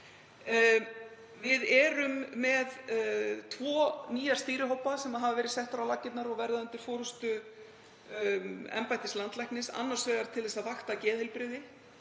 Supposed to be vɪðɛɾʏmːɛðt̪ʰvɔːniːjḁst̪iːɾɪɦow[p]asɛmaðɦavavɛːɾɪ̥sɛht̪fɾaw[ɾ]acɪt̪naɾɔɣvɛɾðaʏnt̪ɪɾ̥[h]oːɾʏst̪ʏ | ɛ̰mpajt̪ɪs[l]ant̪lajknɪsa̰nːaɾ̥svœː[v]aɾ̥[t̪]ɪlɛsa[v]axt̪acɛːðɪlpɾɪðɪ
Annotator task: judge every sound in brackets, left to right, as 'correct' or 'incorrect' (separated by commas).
correct, incorrect, incorrect, correct, incorrect, incorrect, correct